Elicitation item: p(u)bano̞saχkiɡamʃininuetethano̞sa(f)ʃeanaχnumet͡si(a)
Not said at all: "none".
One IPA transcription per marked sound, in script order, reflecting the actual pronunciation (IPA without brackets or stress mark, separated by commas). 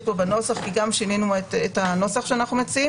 o, χ, i